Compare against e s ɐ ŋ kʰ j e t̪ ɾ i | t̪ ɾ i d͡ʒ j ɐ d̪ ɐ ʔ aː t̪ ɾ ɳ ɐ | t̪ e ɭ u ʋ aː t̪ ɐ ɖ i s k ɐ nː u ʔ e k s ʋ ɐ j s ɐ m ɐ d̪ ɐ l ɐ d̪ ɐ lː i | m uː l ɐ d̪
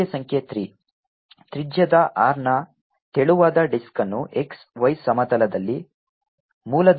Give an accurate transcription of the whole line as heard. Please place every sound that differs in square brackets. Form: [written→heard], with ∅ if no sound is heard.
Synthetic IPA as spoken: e s ɐ ŋ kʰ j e t̪ ɾ i | t̪ ɾ i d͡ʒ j ɐ d̪ ɐ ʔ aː [t̪→∅] ɾ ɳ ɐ | t̪ e ɭ u ʋ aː [t̪→d̪] ɐ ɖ i s k ɐ nː u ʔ e k s ʋ ɐ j s ɐ m ɐ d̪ ɐ l ɐ d̪ ɐ lː i | m uː l ɐ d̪